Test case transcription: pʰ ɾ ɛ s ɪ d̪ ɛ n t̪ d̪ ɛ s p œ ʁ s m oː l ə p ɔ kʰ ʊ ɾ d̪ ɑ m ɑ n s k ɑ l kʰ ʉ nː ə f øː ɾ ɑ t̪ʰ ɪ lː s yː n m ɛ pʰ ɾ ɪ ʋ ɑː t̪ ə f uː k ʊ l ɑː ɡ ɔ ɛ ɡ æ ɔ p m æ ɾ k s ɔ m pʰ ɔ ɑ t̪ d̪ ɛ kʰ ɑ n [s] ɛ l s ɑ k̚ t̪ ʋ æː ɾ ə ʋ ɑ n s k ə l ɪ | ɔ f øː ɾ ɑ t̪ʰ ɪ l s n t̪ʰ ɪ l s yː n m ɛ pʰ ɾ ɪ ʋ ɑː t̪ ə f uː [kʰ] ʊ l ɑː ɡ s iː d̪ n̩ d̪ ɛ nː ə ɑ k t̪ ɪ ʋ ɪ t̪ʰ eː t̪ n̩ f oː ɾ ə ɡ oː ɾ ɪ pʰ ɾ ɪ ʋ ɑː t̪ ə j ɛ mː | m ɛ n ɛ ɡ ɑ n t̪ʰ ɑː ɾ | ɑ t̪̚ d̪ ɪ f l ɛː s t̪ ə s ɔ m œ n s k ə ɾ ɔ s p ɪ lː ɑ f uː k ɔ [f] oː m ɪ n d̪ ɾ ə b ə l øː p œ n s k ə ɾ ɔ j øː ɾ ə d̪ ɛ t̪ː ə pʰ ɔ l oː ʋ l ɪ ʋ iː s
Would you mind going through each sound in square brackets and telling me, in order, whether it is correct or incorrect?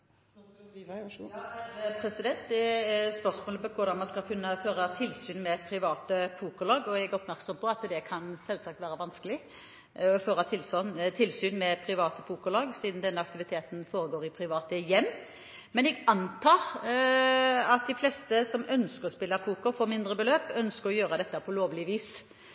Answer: correct, incorrect: k, correct

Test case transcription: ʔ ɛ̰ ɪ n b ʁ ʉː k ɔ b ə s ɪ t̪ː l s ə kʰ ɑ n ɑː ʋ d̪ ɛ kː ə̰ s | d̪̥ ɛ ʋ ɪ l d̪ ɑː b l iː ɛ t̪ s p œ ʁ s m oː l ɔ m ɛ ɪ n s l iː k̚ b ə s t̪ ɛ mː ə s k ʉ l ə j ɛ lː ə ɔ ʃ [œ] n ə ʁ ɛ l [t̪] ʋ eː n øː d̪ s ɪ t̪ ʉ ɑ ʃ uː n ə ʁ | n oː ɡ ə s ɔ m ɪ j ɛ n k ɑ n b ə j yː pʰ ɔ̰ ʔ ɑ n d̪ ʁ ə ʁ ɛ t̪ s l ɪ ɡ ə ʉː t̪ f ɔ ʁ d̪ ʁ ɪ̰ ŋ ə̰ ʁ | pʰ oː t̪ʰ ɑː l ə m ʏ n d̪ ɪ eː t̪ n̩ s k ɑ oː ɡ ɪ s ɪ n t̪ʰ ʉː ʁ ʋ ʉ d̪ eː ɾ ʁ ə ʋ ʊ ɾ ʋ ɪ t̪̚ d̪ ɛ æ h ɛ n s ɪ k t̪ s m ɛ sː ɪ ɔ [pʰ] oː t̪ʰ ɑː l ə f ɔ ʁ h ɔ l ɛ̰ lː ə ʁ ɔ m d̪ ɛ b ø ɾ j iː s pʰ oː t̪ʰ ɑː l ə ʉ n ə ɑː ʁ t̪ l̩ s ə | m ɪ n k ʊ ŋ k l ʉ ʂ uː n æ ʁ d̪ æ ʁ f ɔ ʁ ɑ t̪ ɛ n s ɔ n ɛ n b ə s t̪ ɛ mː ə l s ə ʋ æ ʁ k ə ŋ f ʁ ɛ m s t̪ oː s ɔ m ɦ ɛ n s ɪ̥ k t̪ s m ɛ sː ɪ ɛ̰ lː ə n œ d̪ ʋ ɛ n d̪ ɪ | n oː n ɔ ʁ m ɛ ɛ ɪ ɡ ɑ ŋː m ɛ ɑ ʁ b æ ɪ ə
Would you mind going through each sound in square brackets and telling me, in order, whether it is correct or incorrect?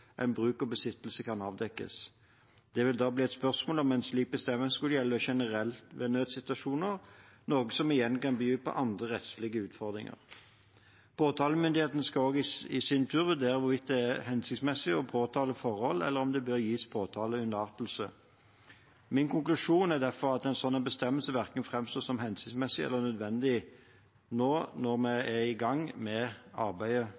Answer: incorrect: ɛ, correct, correct

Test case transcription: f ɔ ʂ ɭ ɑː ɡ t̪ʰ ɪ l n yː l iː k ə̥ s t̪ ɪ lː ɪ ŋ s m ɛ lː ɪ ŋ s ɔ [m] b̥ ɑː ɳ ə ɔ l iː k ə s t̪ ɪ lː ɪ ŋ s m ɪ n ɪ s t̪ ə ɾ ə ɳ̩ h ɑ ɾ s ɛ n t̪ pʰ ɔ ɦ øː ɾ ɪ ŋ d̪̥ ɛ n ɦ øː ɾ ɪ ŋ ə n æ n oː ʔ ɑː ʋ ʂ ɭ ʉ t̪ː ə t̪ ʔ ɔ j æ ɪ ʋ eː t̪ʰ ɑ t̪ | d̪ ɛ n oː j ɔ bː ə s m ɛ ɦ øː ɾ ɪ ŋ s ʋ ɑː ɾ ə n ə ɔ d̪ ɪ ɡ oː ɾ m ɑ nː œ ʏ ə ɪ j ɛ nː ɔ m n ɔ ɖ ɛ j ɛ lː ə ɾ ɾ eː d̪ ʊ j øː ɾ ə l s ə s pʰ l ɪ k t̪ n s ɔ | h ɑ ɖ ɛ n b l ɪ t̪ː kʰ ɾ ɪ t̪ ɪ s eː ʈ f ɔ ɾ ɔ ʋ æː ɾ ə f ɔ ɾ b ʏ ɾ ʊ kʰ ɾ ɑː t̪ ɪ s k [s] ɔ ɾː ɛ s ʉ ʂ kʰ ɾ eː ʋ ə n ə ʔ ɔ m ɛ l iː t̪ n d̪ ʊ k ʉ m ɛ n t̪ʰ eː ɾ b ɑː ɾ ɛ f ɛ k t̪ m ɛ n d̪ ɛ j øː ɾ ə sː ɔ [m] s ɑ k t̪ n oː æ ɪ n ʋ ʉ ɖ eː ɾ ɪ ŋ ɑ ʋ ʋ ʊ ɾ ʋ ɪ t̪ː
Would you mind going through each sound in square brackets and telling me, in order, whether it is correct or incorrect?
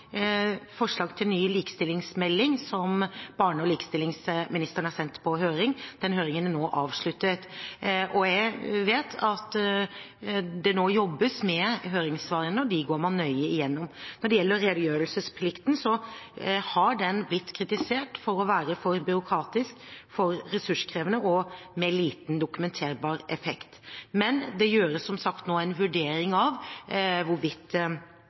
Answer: correct, incorrect: f, correct

